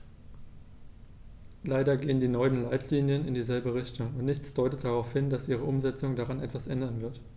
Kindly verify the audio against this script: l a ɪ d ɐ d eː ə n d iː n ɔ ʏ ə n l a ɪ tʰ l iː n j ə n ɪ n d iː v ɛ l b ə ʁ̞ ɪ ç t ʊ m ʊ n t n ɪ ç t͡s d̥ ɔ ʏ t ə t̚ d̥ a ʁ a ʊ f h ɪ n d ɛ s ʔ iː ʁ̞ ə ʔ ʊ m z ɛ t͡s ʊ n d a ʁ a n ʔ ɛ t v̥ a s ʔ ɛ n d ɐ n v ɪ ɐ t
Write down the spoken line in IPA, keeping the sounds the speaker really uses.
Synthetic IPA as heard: l a ɪ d ɐ ɡ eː ə n d iː n ɔ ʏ ə n l a ɪ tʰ l iː n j ə n ɪ n d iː z ɛ l b ə ʁ̞ ɪ ç t ʊ ŋ ʊ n t n ɪ ç t͡s d̥ ɔ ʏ t ə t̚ d̥ a ʁ a ʊ f h ɪ n d a s ʔ iː ʁ̞ ə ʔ ʊ m z ɛ t͡s ʊ ŋ d a ʁ a n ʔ ɛ t v̥ a s ʔ ɛ n d ɐ n v ɪ ɐ t